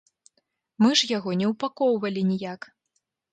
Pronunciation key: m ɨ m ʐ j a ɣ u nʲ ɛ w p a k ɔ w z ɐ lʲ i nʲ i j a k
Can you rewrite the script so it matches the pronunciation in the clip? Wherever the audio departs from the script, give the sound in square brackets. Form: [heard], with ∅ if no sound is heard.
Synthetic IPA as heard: m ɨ [∅] ʐ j a ɣ [ɔ] nʲ ɛ w p a k ɔ w [v] ɐ lʲ i nʲ i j a k